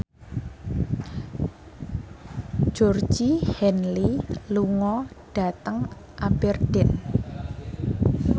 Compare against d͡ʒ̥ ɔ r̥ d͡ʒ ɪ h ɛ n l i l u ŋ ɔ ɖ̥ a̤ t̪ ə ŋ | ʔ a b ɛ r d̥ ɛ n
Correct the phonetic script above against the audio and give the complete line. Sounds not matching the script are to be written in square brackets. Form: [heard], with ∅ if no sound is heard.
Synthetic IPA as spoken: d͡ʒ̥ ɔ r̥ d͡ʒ [i] h ɛ n l i l u ŋ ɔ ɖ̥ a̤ t̪ ə ŋ | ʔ a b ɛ r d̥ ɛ n